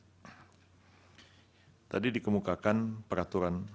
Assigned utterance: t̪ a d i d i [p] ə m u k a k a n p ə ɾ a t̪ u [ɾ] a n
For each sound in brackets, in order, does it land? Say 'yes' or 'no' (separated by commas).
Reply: no, yes